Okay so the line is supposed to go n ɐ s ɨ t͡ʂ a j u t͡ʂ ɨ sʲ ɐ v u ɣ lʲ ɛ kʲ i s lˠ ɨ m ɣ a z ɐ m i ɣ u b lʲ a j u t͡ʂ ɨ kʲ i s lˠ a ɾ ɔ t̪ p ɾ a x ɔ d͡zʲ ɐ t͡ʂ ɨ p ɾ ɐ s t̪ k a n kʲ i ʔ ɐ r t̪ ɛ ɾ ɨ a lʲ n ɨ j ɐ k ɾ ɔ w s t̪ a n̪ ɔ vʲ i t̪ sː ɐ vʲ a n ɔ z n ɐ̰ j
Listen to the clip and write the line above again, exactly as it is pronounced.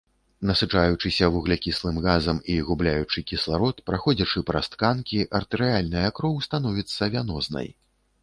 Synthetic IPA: n ɐ s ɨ t͡ʂ a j u t͡ʂ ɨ sʲ ɐ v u ɣ lʲ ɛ kʲ i s lˠ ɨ m ɣ a z ɐ m i ɣ u b lʲ a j u t͡ʂ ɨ kʲ i s lˠ a ɾ ɔ t̪ p ɾ a x ɔ d͡zʲ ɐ t͡ʂ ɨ p ɾ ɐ s t̪ k a n kʲ i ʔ ɐ r t̪ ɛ ɾ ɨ a lʲ n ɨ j ɐ k ɾ ɔ w s t̪ a n̪ ɔ vʲ i t̪ sː ɐ vʲ a n ɔ z n ɐ̰ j